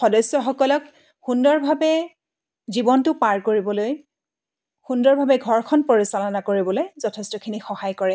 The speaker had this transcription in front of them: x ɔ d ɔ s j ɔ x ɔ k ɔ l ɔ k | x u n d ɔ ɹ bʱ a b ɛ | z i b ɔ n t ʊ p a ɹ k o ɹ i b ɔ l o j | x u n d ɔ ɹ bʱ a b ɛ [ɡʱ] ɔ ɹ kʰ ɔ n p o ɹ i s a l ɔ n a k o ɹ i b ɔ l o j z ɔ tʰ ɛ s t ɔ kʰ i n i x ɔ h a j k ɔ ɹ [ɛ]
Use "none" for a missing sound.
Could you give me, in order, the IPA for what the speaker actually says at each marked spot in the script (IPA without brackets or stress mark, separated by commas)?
ɡʱ, ɛ